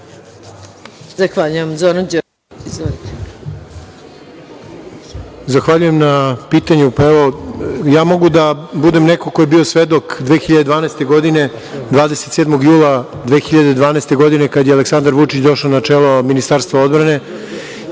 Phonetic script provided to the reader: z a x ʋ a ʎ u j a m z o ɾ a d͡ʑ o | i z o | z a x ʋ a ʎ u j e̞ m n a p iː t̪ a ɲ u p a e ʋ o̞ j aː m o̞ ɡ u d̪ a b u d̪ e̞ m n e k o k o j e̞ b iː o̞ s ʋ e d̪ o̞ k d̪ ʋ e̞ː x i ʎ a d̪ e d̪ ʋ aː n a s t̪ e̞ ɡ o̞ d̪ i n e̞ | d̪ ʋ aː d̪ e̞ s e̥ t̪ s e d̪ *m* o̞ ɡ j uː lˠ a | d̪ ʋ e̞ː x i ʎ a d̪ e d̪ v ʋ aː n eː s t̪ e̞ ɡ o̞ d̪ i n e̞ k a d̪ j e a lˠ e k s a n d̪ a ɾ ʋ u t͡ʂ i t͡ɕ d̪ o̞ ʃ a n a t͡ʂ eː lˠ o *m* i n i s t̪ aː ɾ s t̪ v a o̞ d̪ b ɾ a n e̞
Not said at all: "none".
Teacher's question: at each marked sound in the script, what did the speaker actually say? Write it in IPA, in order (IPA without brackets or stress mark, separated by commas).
m, m